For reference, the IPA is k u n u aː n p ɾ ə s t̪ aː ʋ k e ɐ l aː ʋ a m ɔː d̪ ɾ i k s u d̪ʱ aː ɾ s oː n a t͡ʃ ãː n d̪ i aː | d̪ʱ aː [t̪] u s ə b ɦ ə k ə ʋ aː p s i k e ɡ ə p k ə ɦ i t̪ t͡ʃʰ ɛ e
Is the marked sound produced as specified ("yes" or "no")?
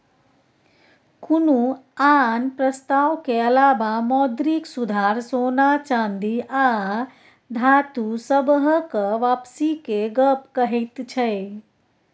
yes